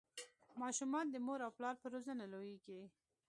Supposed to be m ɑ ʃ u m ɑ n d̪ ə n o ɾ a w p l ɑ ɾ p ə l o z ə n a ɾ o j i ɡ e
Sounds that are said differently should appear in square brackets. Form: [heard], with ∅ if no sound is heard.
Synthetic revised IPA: m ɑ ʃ u m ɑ n d̪ ə [m] o ɾ a w p l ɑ ɾ p ə [ɾ] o z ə n a [l] o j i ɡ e